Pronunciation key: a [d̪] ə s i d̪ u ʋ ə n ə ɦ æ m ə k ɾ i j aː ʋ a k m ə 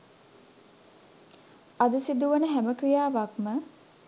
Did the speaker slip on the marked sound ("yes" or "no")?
no